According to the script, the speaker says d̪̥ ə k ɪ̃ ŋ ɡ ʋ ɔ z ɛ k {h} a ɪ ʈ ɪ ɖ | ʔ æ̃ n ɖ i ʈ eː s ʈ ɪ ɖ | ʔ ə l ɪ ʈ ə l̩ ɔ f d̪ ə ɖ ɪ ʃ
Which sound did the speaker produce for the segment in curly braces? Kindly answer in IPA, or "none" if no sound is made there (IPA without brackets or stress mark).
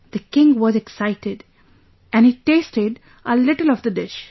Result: s